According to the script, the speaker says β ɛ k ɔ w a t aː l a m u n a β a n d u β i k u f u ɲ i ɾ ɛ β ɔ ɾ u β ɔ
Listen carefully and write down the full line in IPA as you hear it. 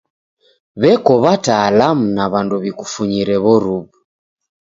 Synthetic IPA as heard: β ɛ k ɔ β a t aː l a m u n a β a n d u β i k u f u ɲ i ɾ ɛ β ɔ ɾ u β u